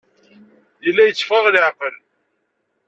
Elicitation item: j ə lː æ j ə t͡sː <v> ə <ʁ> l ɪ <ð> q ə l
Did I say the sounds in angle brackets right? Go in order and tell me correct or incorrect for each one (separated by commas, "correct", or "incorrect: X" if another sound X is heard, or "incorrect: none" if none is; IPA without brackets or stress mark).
incorrect: f, correct, incorrect: ʕ